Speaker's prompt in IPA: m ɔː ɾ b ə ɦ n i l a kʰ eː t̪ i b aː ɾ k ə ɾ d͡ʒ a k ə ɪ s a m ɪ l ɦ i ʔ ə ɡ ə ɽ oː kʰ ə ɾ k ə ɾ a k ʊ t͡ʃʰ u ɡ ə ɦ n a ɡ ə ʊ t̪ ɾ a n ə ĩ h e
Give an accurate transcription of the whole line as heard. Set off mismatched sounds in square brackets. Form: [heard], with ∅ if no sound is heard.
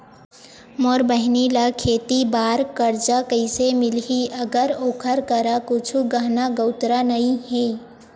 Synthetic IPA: m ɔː ɾ b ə ɦ n i l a kʰ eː t̪ i b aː ɾ k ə ɾ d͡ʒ a k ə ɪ s [e] m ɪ l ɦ i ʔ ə ɡ ə [ɾ] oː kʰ ə ɾ k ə ɾ a k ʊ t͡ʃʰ u ɡ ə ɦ n a ɡ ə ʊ t̪ ɾ a n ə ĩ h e